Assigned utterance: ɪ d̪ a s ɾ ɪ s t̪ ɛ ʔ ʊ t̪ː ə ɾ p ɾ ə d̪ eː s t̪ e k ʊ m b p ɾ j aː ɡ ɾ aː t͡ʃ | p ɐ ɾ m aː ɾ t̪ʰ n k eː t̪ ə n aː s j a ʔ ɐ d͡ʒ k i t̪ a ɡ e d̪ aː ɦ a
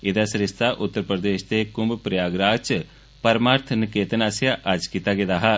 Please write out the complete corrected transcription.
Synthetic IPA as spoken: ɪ d̪ a s ɾ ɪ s t̪ a ʔ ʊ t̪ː ə ɾ p ɾ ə d̪ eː ʃ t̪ e k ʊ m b p ɾ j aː ɡ ɾ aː t͡ʃ | p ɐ ɾ m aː ɾ t̪ʰ n k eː t̪ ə n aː s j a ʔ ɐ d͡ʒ k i t̪ a ɡ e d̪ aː ɦ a

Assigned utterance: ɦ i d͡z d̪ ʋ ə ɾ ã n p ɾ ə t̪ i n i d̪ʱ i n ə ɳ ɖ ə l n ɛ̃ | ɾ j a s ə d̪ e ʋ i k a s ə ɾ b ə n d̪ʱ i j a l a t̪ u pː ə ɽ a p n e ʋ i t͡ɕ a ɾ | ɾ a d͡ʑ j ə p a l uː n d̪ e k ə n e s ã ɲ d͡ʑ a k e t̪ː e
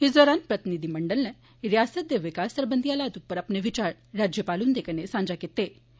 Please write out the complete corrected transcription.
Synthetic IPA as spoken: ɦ i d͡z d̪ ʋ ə ɾ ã n p ɾ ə t̪ i n i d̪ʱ i m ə ɳ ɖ ə l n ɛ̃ | ɾ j a s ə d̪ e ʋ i k a s ə ɾ b ə n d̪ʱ i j a l a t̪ u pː ə ɾ a p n e ʋ i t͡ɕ a ɾ | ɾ a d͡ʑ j ə p a l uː n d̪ e k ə n e s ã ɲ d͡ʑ a k e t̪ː e

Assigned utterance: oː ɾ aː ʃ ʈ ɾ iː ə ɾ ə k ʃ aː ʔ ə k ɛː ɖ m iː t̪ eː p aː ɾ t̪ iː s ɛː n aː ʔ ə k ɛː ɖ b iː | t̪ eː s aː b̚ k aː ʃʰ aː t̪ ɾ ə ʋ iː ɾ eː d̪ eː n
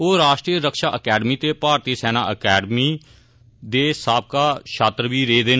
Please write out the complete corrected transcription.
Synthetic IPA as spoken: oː ɾ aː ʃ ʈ ɾ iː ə ɾ ə k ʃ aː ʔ ə k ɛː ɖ m iː t̪ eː p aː ɾ t̪ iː s ɛː n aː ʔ ə k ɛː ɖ m iː | d̪ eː s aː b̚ k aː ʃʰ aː t̪ ɾ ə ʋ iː ɾ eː d̪ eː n

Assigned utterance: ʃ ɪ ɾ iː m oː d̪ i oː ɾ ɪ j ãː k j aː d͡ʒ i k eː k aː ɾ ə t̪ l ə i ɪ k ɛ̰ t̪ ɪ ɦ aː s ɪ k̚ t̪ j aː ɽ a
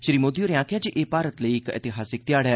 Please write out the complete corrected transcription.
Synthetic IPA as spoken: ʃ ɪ ɾ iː m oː d̪ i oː ɾ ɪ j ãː k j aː d͡ʒ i ʔ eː p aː ɾ ə t̪ l ə i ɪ k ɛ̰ t̪ ɪ ɦ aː s ɪ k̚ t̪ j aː ɽ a

